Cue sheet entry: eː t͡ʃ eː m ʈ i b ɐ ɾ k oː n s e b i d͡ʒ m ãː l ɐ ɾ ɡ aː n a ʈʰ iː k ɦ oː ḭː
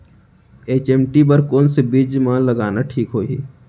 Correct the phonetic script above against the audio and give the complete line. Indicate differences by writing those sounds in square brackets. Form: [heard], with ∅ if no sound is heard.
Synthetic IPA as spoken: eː t͡ʃ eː m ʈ i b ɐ ɾ k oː n s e b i d͡ʒ m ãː l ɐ [∅] ɡ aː n a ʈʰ iː k ɦ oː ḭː